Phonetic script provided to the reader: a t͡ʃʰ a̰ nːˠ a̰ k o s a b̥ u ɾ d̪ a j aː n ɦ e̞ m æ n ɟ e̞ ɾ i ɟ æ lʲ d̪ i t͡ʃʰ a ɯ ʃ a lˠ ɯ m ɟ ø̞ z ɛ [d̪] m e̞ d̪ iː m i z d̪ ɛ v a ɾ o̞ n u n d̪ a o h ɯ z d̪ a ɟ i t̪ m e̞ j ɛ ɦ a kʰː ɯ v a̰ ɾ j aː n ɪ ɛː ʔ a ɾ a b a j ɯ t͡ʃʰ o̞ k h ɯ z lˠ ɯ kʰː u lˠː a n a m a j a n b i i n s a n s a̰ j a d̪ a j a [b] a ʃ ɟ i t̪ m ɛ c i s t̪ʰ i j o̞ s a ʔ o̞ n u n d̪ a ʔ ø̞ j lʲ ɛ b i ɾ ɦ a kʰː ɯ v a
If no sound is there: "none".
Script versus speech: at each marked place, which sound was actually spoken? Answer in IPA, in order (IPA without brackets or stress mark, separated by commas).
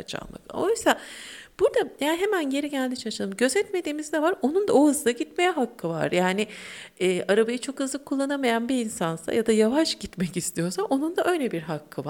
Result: t̪, v